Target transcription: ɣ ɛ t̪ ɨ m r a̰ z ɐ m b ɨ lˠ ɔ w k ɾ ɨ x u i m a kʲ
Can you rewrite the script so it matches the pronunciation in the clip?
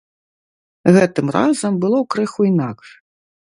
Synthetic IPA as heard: ɣ ɛ t̪ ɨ m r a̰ z ɐ m b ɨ lˠ ɔ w k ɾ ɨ x u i n a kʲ